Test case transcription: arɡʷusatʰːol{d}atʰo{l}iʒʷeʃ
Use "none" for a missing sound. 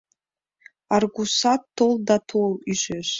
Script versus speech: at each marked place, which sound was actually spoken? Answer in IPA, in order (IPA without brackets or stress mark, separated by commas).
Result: d, l